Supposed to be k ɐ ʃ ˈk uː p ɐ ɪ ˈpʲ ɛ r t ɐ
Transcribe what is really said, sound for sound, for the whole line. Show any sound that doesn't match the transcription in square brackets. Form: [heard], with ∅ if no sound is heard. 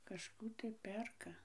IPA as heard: k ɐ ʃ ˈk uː [t] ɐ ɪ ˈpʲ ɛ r [k] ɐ

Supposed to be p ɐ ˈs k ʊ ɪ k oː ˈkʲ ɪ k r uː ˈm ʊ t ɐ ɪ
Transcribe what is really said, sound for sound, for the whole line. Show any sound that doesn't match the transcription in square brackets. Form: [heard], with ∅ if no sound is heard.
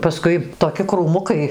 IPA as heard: p ɐ ˈs k ʊ ɪ [t] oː ˈkʲ ɪ k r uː ˈm ʊ [k] ɐ ɪ

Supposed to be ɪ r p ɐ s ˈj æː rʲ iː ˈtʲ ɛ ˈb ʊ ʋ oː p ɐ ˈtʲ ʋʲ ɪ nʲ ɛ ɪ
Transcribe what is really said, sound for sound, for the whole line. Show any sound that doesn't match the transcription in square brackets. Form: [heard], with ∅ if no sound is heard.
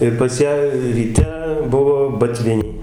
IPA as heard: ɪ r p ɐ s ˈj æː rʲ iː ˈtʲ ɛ ˈb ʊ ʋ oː [b] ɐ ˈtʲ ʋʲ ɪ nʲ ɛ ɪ

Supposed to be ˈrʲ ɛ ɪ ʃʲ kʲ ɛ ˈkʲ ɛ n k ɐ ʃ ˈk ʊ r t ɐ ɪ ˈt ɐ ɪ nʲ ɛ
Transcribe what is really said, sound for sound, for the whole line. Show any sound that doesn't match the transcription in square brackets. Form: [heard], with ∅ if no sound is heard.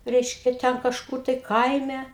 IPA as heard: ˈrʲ ɛ ɪ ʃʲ kʲ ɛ [ˈtʲ] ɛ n k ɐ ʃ ˈk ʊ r t ɐ ɪ [ˈk] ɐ ɪ [mʲ] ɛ

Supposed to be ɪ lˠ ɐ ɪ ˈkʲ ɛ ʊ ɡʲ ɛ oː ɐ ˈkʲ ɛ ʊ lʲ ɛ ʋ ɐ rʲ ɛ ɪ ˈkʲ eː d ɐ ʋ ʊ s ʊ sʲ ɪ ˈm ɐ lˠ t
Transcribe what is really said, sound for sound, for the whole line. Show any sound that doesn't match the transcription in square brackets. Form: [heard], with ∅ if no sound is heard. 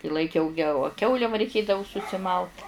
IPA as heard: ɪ lˠ ɐ ɪ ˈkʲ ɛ ʊ ɡʲ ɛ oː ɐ ˈkʲ ɛ ʊ lʲ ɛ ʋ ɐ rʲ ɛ ɪ ˈkʲ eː d ɐ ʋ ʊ s ʊ sʲ ɪ ˈm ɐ lˠ t

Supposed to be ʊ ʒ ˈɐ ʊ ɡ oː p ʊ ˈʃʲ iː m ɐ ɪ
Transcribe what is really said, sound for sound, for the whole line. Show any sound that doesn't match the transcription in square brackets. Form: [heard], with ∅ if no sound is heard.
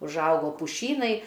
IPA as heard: ʊ ʒ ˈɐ ʊ ɡ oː p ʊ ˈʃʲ iː [n] ɐ ɪ

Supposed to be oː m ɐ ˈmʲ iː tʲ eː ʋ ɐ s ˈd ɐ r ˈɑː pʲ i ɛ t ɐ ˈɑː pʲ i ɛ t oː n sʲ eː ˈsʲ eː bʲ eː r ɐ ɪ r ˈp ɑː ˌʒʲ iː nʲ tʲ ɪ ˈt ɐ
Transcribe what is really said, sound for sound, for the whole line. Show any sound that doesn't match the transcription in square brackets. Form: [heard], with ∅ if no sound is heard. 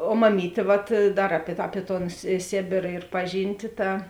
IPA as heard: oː m ɐ ˈmʲ iː tʲ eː ʋ ɐ [t] ˈd ɐ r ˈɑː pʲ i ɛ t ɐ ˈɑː pʲ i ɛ t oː n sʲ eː ˈsʲ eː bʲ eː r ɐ ɪ r ˈp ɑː ˌʒʲ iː nʲ tʲ ɪ ˈt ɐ

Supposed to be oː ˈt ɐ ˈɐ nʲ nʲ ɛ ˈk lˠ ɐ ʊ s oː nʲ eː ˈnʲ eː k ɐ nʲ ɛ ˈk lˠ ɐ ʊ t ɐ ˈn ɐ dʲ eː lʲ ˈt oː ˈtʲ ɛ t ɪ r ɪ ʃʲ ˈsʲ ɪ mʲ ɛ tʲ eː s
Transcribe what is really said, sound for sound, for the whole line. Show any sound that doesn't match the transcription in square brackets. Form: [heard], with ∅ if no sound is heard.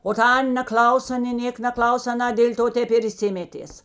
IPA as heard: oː ˈt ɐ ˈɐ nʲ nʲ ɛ ˈk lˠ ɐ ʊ s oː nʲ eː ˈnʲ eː k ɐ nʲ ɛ ˈk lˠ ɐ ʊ [s] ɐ ˈn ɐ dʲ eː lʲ ˈt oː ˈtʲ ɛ [p] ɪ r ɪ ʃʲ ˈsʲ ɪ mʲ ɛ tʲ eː s

